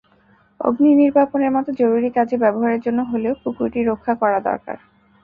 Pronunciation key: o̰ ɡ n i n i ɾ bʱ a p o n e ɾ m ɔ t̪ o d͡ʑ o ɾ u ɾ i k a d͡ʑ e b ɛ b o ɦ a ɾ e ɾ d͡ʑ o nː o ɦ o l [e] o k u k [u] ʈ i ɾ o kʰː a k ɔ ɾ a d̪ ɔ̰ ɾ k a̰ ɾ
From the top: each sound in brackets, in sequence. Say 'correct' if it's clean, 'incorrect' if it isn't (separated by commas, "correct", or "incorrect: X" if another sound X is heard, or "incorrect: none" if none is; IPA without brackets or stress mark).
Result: correct, correct